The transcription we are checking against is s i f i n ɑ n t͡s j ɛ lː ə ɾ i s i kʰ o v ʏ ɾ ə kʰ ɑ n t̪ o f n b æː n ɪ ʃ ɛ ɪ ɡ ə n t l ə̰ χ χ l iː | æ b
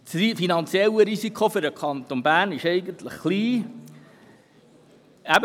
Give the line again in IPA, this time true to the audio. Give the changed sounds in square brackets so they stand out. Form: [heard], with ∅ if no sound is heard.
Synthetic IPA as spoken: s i f i n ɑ n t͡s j ɛ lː ə ɾ i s i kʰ o [f] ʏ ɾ ə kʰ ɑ n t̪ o [∅] n b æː n ɪ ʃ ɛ ɪ ɡ ə n t l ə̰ χ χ l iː | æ b